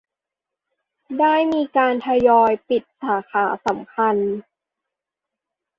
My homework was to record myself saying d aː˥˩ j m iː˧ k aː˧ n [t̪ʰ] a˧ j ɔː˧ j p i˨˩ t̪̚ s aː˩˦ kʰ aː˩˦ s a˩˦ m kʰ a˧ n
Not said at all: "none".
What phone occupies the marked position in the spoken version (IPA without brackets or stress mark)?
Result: t̪ʰ